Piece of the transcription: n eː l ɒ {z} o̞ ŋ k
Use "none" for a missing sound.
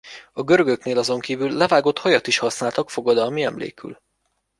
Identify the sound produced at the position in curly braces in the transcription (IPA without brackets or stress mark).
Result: z